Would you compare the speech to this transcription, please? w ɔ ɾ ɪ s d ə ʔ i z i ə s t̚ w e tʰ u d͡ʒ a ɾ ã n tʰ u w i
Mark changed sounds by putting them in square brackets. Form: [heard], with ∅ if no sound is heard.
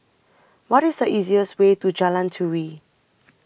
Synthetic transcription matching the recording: w ɔ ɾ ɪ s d ə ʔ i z i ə s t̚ w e [t] u d͡ʒ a [l] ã n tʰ u w i